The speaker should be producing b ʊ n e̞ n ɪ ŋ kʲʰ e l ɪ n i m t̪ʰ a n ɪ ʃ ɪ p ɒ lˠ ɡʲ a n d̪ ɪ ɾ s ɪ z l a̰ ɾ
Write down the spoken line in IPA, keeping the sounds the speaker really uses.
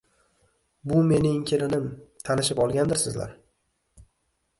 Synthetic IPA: b ʊ m e̞ n ɪ ŋ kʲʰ e l ɪ n ɪ m t̪ʰ a n ɪ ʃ ɪ p ɒ lˠ ɡʲ a n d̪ ɪ ɾ s ɪ z l a̰ ɾ